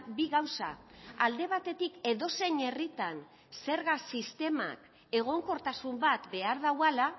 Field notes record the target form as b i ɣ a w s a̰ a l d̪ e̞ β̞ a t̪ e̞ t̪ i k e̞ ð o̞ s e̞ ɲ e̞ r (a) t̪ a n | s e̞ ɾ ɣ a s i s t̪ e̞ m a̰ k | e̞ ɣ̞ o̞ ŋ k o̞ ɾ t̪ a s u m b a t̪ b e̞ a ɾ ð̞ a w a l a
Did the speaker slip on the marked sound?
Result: yes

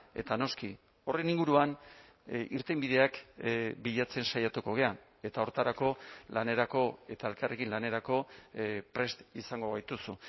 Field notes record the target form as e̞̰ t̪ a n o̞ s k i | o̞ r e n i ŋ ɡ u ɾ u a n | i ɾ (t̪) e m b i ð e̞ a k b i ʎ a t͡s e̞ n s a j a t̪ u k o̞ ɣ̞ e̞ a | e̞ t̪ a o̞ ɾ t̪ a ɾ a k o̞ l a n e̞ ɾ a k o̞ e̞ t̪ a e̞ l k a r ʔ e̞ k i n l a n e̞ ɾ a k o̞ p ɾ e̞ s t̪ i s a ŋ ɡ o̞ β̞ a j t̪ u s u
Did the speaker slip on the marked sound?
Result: no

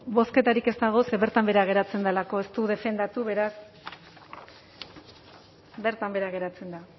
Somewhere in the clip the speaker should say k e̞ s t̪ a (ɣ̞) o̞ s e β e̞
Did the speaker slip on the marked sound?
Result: no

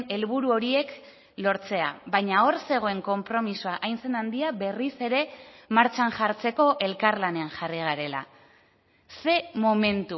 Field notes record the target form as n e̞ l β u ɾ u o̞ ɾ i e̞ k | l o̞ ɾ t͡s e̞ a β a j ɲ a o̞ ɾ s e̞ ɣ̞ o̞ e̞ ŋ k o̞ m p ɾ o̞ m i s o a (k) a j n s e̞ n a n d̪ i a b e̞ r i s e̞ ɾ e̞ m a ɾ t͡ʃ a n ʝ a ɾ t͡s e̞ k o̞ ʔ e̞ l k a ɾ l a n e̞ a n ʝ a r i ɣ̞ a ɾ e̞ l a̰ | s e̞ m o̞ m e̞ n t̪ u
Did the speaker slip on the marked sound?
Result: yes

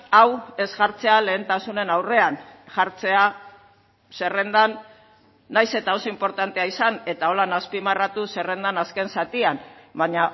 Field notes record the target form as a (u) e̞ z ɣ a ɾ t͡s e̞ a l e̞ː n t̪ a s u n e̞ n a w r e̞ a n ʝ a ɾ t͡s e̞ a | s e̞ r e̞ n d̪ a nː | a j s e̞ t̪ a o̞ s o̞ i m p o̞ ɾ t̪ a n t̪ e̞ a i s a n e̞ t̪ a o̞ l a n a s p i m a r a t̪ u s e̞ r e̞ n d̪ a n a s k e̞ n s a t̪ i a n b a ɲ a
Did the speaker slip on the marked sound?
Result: yes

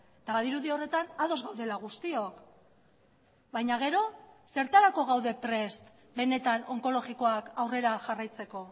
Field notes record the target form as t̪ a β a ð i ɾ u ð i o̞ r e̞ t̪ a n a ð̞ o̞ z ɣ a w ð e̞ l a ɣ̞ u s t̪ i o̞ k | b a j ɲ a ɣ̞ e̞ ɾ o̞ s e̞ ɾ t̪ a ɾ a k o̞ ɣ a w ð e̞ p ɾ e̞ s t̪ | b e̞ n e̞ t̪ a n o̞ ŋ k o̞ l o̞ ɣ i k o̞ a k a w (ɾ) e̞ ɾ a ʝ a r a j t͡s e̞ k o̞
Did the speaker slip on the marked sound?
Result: yes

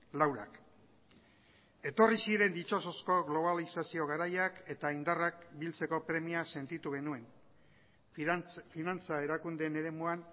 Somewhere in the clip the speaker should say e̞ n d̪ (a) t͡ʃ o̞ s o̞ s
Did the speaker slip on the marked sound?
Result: yes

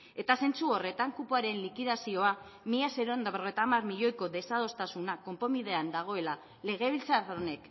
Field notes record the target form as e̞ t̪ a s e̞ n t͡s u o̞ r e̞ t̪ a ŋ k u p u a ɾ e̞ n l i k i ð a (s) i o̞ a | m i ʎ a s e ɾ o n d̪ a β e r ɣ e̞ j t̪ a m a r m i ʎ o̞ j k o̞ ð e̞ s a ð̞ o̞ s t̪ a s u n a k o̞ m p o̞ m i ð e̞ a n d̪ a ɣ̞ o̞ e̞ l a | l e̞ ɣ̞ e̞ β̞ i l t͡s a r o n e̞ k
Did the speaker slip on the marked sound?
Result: no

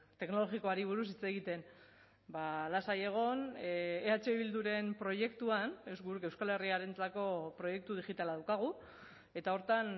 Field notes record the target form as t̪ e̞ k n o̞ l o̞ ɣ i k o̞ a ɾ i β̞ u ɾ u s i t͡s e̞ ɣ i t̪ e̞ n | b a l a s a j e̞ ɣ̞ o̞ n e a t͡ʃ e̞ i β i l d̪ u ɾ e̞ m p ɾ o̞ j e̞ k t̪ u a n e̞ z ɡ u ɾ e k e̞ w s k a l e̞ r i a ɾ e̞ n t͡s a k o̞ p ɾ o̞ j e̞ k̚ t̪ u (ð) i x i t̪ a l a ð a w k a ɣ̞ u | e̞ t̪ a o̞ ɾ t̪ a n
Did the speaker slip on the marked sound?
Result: no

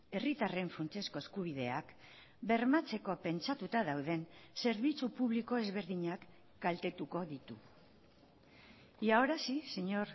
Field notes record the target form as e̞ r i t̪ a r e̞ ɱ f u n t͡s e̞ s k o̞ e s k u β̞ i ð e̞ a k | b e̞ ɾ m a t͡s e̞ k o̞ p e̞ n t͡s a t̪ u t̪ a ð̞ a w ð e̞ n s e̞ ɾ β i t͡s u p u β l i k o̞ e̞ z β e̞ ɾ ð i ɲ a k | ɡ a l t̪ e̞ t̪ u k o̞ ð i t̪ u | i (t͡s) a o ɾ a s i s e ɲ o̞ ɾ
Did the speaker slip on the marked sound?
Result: yes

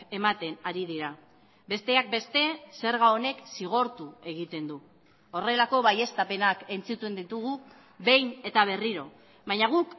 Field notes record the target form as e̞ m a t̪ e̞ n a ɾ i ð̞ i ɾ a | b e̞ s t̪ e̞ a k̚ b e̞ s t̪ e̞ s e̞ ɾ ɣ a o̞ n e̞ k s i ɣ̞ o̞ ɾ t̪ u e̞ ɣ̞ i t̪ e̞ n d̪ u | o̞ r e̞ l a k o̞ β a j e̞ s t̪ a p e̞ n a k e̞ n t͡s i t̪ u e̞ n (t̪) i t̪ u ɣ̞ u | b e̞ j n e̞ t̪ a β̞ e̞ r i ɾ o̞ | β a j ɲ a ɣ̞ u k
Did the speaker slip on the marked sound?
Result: yes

